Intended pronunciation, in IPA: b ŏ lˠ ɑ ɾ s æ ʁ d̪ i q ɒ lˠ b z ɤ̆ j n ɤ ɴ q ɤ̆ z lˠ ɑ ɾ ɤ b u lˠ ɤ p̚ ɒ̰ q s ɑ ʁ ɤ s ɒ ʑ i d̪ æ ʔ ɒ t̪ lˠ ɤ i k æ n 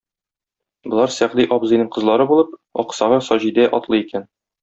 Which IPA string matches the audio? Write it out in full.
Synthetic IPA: b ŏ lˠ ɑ ɾ s æ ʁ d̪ i ʔ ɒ b z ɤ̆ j n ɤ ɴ q ɤ̆ z lˠ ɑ ɾ ɤ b u lˠ ɤ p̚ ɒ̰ q s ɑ ʁ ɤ s ɒ ʑ i d̪ æ ʔ ɒ t̪ lˠ ɤ i k æ n